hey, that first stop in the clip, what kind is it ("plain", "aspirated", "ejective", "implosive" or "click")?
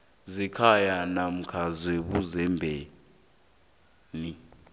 aspirated